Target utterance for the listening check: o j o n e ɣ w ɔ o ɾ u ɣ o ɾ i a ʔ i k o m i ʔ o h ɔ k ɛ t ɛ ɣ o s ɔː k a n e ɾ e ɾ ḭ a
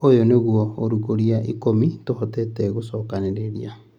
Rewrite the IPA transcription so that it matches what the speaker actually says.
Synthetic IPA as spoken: o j o n e ɣ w ɔ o ɾ u ɣ o ɾ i a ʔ i k o m i t o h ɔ t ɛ t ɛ ɣ o s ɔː k a n e ɾ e ɾ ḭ a